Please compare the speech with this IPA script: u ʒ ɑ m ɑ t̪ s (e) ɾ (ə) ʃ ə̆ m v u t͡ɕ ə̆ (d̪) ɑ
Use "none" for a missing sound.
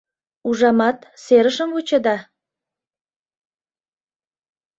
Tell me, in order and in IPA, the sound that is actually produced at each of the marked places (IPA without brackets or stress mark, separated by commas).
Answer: e, ə, d̪